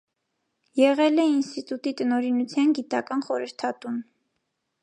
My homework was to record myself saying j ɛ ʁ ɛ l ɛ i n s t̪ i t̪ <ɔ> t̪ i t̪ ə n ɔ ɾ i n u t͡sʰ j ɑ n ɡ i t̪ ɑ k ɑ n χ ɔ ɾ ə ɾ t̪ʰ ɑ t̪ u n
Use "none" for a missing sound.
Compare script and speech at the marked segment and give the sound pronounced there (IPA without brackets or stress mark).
u